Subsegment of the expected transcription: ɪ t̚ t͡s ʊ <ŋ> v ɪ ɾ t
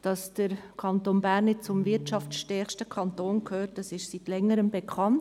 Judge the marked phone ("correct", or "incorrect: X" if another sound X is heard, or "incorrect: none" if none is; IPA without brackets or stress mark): incorrect: m